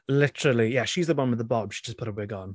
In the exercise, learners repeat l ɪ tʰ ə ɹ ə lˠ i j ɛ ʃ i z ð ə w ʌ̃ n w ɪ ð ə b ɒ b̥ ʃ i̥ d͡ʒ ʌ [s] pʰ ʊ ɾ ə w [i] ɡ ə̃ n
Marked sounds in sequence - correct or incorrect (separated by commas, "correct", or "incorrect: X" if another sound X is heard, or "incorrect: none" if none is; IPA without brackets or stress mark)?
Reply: correct, incorrect: ɪ